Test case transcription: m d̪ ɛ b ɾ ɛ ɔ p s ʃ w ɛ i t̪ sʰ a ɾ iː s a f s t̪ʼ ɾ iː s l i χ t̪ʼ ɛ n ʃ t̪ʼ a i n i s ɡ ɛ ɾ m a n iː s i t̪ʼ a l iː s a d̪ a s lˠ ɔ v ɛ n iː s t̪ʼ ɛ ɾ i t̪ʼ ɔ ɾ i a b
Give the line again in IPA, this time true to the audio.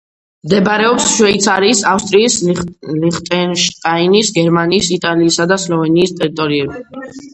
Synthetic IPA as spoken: m d̪ ɛ b ɾ ɛ ɔ p s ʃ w ɛ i t̪ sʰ a ɾ iː s a f s t̪ʼ ɾ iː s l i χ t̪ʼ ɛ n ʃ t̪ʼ a i n i s ɡ ɛ ɾ m a n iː s i t̪ʼ a l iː s a d̪ a s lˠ ɔ v ɛ n iː s t̪ʼ ɛ ɾ i t̪ʼ ɔ ɾ i ɛ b